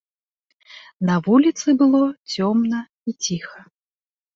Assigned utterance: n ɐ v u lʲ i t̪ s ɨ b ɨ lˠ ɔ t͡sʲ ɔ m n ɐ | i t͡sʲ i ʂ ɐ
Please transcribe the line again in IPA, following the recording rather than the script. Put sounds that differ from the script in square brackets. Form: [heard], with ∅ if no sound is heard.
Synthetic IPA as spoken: n ɐ v u lʲ i t̪ s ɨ b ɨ lˠ ɔ t͡sʲ ɔ m n ɐ | i t͡sʲ i [x] ɐ